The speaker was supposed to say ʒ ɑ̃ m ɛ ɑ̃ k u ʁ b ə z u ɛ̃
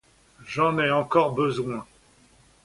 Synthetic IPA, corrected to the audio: ʒ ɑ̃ n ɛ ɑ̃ k ɔ ʁ b ə z w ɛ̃